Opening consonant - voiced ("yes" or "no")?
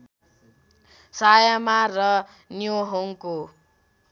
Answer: no